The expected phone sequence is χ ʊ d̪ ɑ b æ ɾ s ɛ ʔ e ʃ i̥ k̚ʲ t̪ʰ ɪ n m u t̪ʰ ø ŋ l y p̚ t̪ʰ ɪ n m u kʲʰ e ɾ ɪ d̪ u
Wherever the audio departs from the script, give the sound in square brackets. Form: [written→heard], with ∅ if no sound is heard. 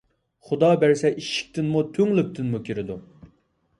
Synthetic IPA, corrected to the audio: χ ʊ d̪ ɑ b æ ɾ s ɛ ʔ [e→i] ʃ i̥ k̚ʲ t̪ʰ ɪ n m u t̪ʰ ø ŋ l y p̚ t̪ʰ ɪ n m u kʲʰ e ɾ ɪ d̪ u